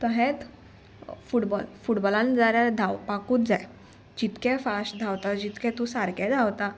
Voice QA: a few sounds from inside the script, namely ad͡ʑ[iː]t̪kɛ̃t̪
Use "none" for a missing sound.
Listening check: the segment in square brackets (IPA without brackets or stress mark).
i